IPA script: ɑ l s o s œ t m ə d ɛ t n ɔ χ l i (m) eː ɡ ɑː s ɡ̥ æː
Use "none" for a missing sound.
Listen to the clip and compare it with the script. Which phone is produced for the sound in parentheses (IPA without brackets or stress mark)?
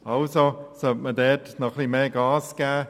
m